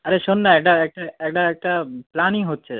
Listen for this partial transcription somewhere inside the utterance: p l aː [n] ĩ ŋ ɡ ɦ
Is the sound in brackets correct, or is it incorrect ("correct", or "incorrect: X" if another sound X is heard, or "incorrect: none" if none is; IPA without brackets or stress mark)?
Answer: correct